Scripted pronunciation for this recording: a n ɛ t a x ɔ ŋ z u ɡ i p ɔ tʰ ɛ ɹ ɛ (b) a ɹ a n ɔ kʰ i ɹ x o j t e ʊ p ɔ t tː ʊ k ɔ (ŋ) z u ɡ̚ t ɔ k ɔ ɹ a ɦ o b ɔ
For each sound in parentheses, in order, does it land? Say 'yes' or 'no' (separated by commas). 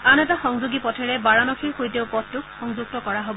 yes, yes